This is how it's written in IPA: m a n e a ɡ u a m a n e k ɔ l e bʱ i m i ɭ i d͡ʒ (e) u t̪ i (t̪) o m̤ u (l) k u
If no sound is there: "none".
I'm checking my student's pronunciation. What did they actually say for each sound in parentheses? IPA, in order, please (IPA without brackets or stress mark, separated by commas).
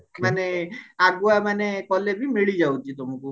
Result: a, t̪, none